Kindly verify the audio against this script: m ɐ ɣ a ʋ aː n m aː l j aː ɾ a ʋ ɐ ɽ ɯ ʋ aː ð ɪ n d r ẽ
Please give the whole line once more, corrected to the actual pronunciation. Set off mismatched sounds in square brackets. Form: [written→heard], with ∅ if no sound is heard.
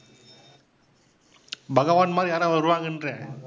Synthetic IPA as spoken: [m→b] ɐ ɣ [a→ɐ] ʋ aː n m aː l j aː ɾ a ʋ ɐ [ɽ→ɾ] ɯ ʋ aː [ð→ɣ] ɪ n d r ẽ